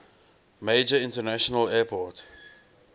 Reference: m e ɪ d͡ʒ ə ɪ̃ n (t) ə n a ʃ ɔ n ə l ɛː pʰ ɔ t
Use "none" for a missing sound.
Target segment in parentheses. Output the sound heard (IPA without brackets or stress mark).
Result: t